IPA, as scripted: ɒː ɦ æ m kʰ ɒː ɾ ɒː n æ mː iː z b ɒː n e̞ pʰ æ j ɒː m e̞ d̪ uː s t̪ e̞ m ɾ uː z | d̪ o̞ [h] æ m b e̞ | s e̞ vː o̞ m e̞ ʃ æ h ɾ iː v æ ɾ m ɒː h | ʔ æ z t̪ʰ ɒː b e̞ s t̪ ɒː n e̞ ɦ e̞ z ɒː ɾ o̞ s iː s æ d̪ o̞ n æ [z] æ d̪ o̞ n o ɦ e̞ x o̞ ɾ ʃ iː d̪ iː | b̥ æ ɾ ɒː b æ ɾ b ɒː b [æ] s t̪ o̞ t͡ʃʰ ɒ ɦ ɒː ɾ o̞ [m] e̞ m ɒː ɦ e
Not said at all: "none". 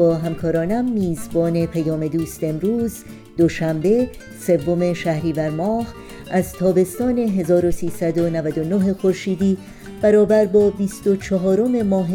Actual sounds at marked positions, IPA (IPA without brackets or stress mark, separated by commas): ʃ, v, i, m